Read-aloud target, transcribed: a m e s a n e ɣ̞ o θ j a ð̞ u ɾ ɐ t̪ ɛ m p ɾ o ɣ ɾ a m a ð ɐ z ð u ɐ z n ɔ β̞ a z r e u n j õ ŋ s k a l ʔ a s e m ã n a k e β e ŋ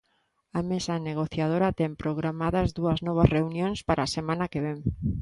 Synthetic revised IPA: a m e s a n e ɣ̞ o θ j a ð̞ o ɾ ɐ t̪ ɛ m p ɾ o ɣ ɾ a m a ð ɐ z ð u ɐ z n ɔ β̞ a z r e u n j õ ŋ s p a ɾ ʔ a s e m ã n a k e β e ŋ